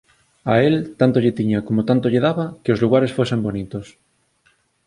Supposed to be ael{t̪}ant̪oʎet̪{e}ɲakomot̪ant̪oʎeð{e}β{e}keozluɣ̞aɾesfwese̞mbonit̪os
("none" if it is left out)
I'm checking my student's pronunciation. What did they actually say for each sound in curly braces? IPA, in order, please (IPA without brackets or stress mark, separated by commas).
t̪, i, a, a